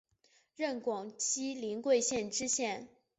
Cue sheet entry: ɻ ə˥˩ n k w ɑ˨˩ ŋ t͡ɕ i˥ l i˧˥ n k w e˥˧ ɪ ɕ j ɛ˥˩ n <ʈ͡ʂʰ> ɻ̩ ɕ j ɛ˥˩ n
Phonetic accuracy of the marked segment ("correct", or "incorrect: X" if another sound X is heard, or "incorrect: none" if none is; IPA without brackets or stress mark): incorrect: ʈ͡ʂ